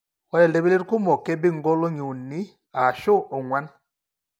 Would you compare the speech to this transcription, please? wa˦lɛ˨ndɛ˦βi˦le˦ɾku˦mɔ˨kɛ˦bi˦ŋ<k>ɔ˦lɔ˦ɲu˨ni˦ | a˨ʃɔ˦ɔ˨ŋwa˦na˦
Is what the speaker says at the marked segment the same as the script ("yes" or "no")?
no